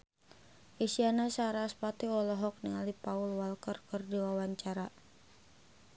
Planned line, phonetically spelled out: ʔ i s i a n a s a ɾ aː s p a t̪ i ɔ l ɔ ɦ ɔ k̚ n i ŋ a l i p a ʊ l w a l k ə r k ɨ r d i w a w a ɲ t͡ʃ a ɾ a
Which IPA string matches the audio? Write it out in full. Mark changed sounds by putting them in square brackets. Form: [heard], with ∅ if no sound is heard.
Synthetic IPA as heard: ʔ i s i a n a s a ɾ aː s p a t̪ i ɔ l ɔ ɦ ɔ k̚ n i ŋ a l i p a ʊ l w a l k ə r k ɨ r d i w a w a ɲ t͡ʃ a ɾ a